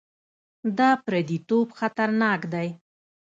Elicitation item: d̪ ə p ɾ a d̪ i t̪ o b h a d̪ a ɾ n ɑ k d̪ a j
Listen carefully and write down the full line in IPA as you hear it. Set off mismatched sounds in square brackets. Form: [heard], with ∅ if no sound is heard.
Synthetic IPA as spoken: d̪ [ɑ] p ɾ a d̪ i t̪ o b [x] a [t̪] a ɾ n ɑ k d̪ a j